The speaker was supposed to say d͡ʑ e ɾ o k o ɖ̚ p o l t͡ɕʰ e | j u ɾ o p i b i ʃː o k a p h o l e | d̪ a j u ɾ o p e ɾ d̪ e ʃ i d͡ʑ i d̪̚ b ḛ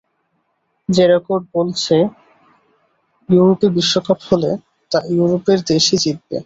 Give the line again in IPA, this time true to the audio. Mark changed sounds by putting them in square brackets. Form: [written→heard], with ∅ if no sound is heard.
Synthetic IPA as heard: d͡ʑ e ɾ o k o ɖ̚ [p→b] o l t͡ɕʰ e | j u ɾ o p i b i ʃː o k a p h o l e | [d̪→t̪] a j u ɾ o p e ɾ d̪ e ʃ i d͡ʑ i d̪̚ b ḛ